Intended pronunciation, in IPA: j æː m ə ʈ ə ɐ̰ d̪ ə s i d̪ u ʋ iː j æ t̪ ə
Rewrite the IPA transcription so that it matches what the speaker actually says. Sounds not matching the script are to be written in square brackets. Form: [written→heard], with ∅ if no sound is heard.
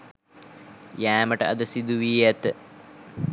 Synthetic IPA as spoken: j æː m ə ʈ ə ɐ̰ d̪ ə s i d̪ u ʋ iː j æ t̪ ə